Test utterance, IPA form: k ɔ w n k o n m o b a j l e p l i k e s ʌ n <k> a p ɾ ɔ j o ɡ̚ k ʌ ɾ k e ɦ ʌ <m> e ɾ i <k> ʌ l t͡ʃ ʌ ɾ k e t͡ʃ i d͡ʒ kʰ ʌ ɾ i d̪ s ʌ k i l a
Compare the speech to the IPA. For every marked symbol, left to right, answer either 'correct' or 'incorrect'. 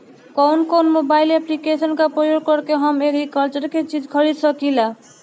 correct, correct, correct

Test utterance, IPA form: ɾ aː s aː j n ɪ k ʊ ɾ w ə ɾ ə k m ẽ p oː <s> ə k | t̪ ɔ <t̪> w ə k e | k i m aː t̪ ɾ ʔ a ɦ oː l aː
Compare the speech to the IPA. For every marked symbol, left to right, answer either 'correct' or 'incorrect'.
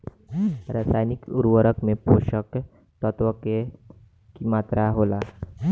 incorrect: ʃ, correct

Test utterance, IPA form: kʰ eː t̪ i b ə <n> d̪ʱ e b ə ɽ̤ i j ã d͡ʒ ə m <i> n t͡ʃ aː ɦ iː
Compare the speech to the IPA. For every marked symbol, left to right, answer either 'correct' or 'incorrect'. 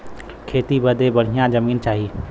incorrect: none, incorrect: iː

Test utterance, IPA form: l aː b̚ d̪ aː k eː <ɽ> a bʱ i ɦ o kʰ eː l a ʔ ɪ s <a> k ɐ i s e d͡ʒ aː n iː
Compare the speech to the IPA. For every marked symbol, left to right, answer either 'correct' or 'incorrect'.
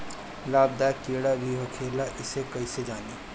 correct, incorrect: e

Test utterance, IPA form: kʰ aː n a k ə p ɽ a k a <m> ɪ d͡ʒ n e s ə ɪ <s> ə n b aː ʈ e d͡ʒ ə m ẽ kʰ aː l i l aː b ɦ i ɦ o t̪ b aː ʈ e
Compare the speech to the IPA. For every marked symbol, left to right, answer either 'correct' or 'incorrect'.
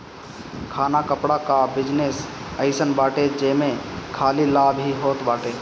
incorrect: b, correct

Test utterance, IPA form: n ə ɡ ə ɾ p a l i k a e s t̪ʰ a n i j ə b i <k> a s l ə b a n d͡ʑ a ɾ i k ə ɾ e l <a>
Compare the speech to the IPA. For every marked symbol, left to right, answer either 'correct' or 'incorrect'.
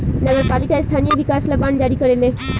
correct, incorrect: e

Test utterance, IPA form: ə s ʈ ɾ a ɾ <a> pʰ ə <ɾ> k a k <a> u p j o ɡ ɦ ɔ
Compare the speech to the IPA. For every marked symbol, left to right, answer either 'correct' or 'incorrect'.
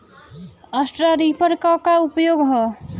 incorrect: i, correct, correct

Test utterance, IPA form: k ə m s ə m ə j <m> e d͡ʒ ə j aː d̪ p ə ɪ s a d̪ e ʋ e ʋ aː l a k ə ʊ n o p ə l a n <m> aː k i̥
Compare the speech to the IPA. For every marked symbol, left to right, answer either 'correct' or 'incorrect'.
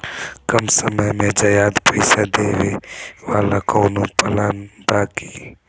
correct, incorrect: b

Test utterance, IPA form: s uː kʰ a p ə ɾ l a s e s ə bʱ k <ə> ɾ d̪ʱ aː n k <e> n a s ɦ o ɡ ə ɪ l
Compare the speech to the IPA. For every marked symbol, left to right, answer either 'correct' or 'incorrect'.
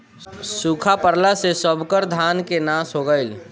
correct, correct

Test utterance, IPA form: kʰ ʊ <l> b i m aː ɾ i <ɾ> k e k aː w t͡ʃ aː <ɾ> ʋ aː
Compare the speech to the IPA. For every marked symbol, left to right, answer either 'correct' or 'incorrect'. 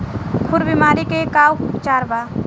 incorrect: ɾ, incorrect: none, correct

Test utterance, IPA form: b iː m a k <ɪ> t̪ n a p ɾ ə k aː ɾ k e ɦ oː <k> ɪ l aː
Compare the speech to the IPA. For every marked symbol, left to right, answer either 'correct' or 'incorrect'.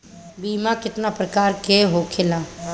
correct, incorrect: kʰ

